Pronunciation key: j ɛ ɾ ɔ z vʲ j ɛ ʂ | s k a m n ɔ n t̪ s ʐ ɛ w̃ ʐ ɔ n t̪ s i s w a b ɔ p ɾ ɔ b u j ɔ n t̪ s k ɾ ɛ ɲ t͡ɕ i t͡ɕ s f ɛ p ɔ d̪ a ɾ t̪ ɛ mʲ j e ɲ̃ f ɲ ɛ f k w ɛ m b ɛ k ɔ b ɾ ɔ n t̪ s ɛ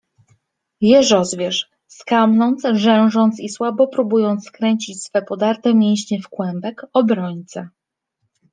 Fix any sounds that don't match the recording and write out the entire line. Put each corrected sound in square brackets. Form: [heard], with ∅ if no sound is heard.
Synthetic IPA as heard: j ɛ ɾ ɔ z vʲ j ɛ ʂ | s k a m n ɔ n t̪ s ʐ ɛ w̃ ʐ ɔ n t̪ s i s w a b ɔ p ɾ [u] b u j ɔ n t̪ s k ɾ ɛ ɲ t͡ɕ i t͡ɕ s f ɛ p ɔ d̪ a ɾ t̪ ɛ mʲ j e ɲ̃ [ɕ] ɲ ɛ f k w ɛ m b ɛ k ɔ b ɾ ɔ [ɲ] t̪ s ɛ